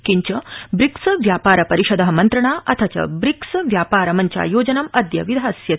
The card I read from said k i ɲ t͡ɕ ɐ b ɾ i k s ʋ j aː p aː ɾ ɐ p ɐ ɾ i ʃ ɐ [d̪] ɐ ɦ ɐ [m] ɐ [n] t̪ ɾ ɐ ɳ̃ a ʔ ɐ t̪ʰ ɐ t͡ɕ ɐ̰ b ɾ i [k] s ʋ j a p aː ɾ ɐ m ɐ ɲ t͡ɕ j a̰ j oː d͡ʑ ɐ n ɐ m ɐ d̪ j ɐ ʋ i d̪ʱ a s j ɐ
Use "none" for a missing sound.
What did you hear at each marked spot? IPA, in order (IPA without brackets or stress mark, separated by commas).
d̪, m, n, k